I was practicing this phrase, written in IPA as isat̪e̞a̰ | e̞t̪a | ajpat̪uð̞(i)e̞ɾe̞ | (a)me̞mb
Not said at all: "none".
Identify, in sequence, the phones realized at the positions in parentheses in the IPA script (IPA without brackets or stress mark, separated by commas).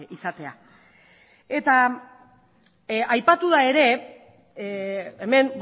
a, e